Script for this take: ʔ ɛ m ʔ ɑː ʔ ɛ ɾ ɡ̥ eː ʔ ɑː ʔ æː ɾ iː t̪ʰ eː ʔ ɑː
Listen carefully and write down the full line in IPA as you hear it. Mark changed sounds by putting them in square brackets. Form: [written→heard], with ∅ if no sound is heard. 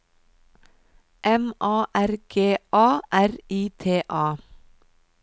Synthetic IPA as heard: ʔ ɛ m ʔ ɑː ʔ [ɛ→æ] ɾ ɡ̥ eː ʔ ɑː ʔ [æː→æ] ɾ iː t̪ʰ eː ʔ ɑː